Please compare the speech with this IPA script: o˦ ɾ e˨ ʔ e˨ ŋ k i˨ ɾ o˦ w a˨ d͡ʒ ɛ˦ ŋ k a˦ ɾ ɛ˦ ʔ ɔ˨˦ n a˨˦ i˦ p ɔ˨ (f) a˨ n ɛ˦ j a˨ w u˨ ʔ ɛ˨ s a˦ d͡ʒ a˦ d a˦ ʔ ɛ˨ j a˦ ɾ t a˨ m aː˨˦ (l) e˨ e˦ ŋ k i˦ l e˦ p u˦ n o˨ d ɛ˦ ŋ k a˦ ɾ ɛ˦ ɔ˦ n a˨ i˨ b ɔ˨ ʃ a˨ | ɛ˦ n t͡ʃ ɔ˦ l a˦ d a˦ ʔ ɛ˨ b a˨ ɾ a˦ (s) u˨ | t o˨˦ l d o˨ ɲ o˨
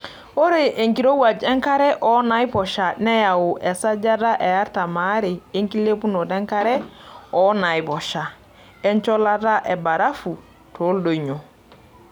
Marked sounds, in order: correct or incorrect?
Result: incorrect: ʃ, incorrect: ɾ, incorrect: f

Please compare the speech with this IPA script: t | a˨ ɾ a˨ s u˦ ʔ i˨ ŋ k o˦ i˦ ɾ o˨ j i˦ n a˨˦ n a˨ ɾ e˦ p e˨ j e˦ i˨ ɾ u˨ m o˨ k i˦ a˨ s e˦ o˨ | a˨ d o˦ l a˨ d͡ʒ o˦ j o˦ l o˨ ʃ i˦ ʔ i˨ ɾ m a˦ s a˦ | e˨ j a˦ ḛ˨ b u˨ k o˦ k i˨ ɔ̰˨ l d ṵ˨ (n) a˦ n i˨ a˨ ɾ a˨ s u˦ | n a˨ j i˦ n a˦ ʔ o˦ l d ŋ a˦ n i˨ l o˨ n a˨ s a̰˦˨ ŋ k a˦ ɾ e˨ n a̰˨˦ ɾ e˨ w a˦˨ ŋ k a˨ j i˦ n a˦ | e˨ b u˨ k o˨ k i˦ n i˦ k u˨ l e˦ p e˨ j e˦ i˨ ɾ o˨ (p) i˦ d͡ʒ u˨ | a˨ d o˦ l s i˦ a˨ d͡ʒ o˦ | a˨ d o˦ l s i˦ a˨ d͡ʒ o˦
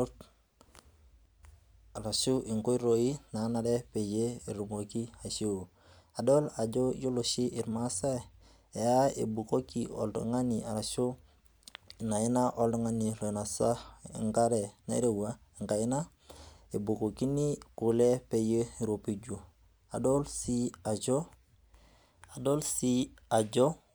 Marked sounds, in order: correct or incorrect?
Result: incorrect: ŋ, correct

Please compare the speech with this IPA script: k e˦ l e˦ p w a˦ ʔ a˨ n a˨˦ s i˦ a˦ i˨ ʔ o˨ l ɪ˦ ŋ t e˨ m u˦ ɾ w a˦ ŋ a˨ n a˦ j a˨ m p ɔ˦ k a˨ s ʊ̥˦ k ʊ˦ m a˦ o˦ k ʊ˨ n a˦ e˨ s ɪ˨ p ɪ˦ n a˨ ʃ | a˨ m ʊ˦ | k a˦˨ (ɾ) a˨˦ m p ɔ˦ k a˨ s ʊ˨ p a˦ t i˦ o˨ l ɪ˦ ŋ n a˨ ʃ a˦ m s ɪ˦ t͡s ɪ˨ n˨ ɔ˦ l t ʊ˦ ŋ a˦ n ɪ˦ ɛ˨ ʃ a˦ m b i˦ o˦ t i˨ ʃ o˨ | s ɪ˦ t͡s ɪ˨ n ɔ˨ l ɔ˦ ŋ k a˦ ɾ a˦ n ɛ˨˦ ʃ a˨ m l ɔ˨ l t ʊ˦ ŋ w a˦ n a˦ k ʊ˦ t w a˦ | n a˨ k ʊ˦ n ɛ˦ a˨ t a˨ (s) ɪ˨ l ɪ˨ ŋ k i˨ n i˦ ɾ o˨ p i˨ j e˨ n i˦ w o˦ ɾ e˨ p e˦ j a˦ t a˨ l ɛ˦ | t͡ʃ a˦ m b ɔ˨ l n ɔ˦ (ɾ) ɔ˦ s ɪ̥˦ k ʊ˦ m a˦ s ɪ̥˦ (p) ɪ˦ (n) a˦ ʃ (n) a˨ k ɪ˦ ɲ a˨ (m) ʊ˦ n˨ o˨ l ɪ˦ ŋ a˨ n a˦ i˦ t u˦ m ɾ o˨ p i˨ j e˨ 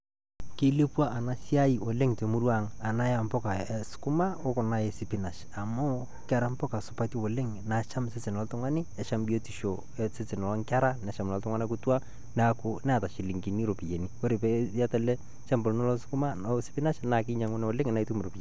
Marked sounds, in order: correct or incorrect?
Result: correct, incorrect: ʃ, incorrect: l, correct, correct, correct, incorrect: ŋ

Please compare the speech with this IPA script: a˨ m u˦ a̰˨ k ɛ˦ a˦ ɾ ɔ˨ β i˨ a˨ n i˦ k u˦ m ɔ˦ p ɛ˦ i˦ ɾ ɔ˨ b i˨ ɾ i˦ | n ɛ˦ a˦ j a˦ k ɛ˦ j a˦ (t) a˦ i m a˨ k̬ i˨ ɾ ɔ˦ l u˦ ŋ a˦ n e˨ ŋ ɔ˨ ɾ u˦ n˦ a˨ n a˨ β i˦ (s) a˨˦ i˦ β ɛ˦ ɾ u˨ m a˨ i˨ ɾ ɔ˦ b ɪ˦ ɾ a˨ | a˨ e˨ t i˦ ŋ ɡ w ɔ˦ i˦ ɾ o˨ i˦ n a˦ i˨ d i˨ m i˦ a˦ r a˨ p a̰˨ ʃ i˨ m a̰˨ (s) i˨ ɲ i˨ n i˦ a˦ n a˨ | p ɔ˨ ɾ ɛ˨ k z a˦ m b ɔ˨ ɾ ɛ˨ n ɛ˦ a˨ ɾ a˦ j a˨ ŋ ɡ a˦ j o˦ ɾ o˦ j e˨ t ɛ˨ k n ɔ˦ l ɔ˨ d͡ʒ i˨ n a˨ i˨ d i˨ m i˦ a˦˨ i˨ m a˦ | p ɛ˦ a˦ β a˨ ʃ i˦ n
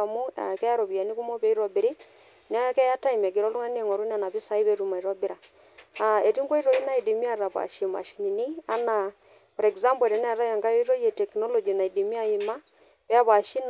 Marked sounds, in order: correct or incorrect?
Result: correct, correct, incorrect: ʃ

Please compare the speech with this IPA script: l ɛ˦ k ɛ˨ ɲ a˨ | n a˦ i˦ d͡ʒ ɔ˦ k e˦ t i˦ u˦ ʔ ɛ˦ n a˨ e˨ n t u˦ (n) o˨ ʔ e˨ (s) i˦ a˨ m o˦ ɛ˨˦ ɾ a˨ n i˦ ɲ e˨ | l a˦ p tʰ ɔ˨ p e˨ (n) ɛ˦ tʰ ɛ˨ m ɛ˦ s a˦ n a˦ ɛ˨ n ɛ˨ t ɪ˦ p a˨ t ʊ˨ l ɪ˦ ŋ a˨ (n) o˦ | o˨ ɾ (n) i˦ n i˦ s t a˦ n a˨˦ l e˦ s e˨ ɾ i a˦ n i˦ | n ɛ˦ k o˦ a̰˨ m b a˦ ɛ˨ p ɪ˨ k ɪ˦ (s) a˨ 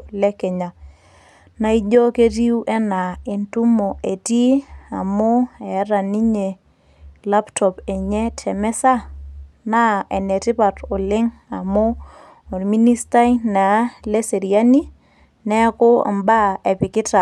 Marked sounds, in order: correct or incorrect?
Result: incorrect: m, incorrect: t, incorrect: ɲ, incorrect: m, incorrect: m, incorrect: t

